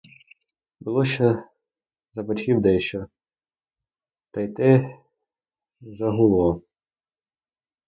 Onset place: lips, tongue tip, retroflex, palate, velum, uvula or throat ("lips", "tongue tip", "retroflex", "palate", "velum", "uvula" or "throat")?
lips